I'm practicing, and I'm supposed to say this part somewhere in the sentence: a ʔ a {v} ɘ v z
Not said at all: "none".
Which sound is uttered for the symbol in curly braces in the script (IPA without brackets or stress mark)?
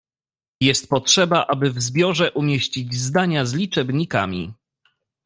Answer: b